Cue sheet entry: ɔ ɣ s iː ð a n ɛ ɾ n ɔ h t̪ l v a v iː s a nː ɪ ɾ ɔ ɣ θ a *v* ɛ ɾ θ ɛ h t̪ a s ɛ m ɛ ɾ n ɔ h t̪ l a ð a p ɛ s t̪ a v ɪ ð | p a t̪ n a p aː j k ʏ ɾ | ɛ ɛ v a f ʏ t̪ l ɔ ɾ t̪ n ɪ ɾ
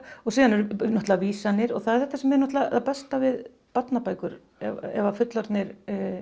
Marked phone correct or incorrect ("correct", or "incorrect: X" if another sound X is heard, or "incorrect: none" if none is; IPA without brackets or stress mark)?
incorrect: ð